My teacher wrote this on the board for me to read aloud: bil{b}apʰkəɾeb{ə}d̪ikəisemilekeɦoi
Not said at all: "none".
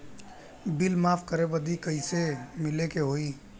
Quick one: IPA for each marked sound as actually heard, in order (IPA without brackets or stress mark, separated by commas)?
m, ə